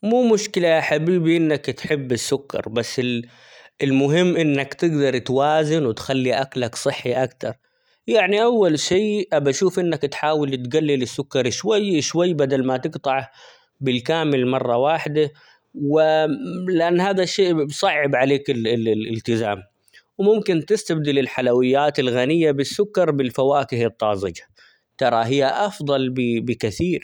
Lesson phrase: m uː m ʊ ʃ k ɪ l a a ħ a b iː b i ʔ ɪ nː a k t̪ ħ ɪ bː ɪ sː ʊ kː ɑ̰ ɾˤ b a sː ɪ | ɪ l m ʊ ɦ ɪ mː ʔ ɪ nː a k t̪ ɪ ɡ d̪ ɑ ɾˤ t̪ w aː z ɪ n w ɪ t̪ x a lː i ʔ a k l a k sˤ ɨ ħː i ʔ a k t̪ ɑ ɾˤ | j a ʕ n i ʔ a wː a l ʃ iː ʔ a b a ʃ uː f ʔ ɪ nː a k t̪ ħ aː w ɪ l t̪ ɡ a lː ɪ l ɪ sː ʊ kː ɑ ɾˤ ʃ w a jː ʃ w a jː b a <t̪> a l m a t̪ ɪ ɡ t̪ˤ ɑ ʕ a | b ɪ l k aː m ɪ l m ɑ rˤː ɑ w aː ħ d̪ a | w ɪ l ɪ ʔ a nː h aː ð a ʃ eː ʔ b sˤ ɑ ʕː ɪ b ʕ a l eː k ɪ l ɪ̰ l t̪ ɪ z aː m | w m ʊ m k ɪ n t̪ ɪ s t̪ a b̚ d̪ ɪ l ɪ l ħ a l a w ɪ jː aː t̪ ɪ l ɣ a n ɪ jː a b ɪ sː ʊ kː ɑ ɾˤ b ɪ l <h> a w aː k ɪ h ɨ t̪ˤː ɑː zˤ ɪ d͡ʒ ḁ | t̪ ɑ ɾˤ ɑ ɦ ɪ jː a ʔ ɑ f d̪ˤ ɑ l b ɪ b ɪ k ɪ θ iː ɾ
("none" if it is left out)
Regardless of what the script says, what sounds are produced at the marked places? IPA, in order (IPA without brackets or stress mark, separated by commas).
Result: d̪, f